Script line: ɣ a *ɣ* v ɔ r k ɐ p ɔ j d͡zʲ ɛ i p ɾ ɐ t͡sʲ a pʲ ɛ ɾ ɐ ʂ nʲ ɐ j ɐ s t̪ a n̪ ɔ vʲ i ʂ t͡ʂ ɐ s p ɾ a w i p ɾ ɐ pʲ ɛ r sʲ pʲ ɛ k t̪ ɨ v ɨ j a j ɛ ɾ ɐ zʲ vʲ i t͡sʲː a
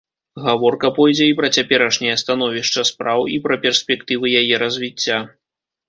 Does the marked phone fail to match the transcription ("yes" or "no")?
yes